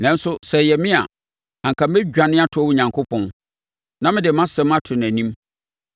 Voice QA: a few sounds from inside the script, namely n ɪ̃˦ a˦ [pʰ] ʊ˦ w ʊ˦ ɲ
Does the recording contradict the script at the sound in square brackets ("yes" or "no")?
yes